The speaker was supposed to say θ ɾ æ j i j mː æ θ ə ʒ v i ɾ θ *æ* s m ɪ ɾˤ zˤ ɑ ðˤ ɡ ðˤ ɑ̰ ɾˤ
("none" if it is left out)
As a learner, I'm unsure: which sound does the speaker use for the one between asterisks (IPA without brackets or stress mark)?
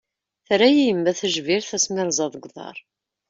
æ